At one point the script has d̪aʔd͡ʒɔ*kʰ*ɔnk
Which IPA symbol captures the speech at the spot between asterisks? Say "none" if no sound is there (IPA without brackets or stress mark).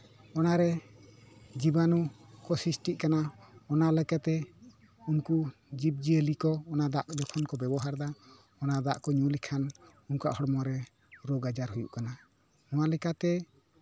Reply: kʰ